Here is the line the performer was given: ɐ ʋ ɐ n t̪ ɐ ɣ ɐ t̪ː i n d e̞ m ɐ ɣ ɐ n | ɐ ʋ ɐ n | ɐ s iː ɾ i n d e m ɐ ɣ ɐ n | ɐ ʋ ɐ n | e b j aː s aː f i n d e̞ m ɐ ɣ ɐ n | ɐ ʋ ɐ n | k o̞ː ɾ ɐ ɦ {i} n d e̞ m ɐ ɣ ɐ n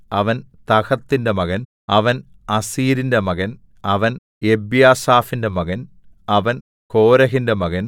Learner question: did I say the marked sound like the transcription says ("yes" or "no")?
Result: yes